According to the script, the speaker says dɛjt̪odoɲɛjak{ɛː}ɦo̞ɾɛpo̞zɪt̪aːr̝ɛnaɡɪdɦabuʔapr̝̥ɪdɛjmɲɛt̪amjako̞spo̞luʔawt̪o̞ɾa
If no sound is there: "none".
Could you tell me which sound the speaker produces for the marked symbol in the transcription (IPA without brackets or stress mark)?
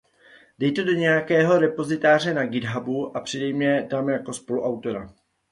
ɛː